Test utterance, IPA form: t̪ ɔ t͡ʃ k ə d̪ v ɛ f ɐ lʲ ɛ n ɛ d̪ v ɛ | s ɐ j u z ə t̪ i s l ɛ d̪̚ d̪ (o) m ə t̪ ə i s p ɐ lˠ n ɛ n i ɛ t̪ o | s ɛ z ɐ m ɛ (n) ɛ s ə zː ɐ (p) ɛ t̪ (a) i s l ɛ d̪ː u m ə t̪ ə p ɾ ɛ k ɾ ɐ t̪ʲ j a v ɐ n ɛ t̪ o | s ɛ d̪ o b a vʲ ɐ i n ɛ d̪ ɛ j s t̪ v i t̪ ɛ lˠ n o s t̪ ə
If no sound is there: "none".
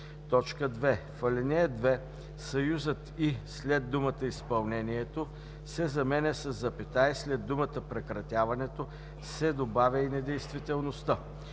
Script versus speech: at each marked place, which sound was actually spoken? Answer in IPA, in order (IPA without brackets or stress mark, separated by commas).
u, n, p, a